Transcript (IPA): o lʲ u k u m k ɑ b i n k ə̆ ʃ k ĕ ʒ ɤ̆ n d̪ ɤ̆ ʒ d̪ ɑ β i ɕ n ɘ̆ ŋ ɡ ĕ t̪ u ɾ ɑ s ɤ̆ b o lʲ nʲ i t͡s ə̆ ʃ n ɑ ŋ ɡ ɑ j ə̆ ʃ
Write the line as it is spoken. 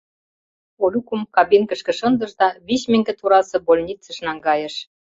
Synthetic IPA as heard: o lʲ u k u m k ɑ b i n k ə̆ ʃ k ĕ ʃ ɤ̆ n d̪ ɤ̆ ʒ d̪ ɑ β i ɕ m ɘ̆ ŋ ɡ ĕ t̪ u ɾ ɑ s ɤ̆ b o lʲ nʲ i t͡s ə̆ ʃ n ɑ ŋ ɡ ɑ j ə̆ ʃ